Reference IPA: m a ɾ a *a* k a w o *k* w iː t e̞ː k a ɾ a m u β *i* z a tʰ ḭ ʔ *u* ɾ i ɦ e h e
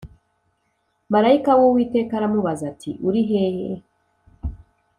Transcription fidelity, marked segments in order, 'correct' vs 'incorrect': incorrect: i, incorrect: none, incorrect: a, correct

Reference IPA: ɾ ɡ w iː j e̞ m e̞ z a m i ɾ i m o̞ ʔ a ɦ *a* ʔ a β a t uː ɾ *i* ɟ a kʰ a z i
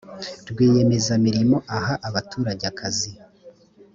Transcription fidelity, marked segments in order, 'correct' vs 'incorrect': correct, incorrect: a

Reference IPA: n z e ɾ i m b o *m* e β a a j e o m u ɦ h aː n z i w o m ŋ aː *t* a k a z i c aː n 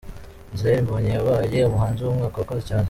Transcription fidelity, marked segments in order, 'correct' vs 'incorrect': incorrect: ɲ, incorrect: k

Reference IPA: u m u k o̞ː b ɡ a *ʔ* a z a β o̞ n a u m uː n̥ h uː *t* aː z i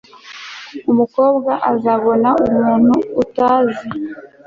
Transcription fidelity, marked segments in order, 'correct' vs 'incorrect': correct, correct

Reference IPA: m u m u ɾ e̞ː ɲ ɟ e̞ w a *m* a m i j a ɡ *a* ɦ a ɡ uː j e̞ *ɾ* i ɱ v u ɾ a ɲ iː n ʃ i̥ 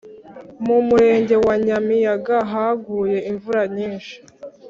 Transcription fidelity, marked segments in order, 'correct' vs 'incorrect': incorrect: ɲ, correct, incorrect: none

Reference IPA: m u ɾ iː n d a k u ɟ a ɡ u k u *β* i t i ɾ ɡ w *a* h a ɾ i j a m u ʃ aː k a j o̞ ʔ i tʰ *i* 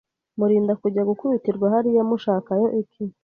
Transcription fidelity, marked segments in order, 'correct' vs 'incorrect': correct, correct, correct

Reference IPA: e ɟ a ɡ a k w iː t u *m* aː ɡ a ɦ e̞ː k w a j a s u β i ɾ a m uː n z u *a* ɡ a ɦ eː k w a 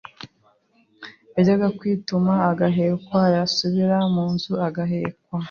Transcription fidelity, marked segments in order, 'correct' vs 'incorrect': correct, correct

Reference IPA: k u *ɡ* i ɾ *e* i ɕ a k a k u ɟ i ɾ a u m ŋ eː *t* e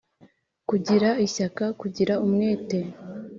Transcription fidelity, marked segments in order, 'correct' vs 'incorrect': incorrect: ɟ, incorrect: a, correct

